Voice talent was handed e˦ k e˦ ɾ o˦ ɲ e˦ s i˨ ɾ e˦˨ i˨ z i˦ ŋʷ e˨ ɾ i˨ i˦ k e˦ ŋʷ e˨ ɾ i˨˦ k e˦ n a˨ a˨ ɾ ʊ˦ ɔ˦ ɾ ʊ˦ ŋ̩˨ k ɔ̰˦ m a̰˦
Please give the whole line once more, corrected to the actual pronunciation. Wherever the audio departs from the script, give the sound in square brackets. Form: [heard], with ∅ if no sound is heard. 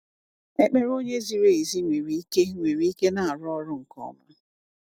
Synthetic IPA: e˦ [k͡p] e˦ ɾ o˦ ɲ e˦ [z] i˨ ɾ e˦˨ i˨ z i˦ ŋʷ e˨ ɾ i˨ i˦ k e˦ ŋʷ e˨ ɾ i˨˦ k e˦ n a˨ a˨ ɾ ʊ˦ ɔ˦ ɾ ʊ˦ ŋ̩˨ k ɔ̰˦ m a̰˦

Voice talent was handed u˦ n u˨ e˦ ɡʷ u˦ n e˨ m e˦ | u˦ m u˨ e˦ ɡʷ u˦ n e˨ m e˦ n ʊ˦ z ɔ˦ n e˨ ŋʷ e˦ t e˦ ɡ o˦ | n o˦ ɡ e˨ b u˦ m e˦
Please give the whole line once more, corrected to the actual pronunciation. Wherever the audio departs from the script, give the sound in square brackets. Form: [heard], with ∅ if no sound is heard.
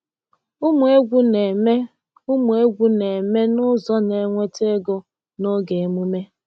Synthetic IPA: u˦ [m] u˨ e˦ ɡʷ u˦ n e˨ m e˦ | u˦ m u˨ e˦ ɡʷ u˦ n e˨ m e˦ n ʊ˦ z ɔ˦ n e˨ ŋʷ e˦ t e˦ ɡ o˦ | n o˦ ɡ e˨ [m] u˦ m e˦

